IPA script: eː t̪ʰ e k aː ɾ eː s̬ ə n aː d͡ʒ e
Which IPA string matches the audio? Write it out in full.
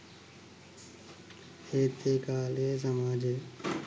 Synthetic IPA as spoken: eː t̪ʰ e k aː l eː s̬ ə m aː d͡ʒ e

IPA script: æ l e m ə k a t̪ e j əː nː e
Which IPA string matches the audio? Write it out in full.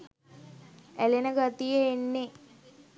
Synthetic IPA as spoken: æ l e n ə ɡ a t̪ i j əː nː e

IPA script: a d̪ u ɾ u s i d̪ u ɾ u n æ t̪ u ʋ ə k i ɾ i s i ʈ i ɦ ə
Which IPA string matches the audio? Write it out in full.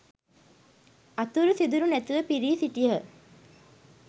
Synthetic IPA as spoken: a t̪ u ɾ u s i d̪ u ɾ u n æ t̪ u ʋ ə p i ɾ iː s i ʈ i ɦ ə

